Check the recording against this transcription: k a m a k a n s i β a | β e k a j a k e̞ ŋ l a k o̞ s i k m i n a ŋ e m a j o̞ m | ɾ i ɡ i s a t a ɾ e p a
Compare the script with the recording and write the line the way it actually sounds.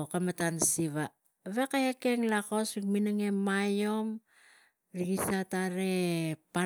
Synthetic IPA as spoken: k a m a t a n s i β a | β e k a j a k e̞ ŋ l a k o̞ s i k m i n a ŋ e m a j o̞ m | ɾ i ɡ i s a t a ɾ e p a